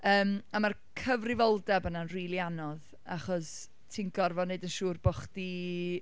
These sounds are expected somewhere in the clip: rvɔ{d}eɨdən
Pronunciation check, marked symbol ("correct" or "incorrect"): incorrect